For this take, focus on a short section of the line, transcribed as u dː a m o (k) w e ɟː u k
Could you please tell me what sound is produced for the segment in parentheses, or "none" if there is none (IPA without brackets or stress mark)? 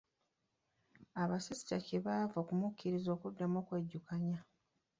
k